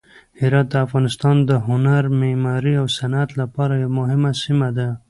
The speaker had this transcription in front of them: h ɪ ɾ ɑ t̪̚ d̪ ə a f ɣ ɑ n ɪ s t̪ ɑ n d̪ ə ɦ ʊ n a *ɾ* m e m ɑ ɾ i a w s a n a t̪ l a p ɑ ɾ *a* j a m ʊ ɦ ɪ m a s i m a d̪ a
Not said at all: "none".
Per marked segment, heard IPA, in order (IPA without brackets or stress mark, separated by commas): ɾ, a